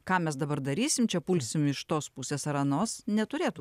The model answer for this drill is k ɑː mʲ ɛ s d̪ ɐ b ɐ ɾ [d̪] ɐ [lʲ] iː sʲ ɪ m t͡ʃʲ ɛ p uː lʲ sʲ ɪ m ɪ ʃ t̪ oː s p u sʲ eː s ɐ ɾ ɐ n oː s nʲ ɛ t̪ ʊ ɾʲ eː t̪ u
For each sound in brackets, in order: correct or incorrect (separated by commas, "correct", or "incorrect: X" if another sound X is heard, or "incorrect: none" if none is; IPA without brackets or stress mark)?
correct, incorrect: ɾʲ